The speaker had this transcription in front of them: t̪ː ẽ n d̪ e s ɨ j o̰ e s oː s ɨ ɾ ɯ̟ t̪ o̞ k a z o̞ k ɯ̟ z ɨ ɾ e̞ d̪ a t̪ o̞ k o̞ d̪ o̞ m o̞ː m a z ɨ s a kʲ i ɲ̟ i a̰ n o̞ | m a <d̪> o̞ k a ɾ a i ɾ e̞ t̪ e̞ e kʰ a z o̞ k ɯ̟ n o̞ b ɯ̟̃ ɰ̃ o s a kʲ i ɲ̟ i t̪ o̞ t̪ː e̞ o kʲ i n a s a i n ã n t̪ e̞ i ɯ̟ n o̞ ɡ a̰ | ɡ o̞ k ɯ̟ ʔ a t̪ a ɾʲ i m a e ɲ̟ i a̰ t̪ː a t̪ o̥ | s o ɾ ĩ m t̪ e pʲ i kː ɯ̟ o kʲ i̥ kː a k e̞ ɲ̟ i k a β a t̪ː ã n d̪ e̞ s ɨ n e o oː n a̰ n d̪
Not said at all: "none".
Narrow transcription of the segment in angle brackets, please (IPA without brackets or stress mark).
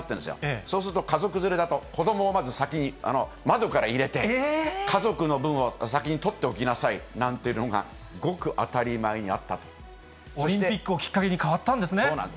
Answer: d̪